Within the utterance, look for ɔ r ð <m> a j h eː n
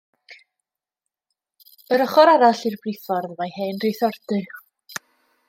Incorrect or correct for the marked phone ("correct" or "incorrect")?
correct